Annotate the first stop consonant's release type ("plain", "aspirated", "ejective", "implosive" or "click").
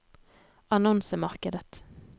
plain